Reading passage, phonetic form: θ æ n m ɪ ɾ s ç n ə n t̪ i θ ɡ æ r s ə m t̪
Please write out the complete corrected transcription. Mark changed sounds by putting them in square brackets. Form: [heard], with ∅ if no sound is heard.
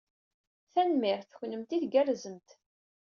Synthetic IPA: θ æ n m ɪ ɾ [θ] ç n ə [m] t̪ i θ ɡ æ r [z] ə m t̪

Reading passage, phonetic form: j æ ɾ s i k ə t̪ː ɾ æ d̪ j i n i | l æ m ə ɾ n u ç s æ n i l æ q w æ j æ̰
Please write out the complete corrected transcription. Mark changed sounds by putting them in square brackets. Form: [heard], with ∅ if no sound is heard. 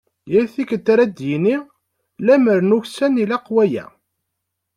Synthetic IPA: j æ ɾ [θ] i k ə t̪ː ɾ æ d̪ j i n i | l æ m ə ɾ n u ç s æ n i l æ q w æ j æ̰

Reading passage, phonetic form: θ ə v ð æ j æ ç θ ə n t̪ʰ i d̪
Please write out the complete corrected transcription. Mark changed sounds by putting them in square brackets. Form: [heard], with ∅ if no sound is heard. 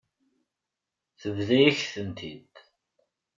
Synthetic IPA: θ ə v ð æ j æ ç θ ə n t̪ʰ i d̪

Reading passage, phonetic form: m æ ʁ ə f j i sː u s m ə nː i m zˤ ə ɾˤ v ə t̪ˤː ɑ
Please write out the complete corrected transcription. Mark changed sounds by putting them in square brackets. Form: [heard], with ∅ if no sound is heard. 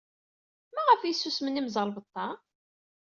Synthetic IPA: m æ ʁ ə f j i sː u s m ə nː i m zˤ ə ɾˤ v ə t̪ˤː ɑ

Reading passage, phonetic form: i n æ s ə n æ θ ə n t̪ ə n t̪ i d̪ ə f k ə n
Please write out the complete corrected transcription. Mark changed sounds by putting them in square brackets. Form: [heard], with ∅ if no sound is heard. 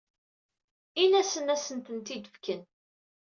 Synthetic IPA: i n æ s ə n æ [s] ə n t̪ ə n t̪ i d̪ ə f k ə n

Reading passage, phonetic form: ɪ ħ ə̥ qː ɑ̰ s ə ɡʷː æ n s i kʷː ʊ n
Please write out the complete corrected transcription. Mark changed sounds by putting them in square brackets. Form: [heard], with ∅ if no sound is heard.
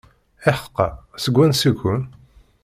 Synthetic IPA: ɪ ħ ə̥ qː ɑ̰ s ə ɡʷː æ n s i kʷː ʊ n

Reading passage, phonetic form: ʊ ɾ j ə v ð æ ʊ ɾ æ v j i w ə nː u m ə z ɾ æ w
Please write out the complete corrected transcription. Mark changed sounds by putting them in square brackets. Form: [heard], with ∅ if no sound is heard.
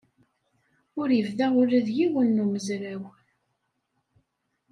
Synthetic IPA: ʊ ɾ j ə v ð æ ʊ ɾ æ [ð] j i w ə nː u m ə z ɾ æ w

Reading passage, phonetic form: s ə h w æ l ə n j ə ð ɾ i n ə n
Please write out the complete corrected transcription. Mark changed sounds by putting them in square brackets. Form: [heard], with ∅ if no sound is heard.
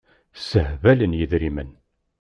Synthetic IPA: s ə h [v] æ l ə n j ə ð ɾ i [m] ə n

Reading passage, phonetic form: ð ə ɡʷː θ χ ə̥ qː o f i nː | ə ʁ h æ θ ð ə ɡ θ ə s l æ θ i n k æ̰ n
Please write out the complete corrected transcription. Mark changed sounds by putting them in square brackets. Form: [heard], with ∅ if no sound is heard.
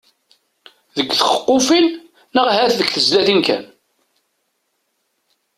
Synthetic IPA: ð ə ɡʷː θ χ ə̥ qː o f i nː | ə ʁ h æ θ ð ə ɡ θ ə [z] l æ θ i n k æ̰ n

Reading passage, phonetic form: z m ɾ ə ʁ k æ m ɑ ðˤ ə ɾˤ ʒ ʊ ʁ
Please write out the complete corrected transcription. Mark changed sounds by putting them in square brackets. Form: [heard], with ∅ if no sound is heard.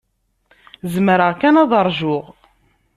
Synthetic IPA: z m ɾ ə ʁ k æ [n] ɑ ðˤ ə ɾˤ ʒ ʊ ʁ

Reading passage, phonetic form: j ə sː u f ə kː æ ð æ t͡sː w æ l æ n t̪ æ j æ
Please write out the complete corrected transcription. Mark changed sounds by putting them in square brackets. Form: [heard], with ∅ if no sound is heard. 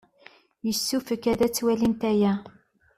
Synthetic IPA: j ə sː u f ə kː æ ð æ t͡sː w æ l [i] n t̪ æ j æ

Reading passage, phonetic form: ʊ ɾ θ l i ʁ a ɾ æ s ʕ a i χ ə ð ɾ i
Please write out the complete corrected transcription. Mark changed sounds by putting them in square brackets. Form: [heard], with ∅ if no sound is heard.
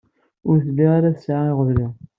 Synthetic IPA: ʊ ɾ θ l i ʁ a ɾ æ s ʕ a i [ʁ] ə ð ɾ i

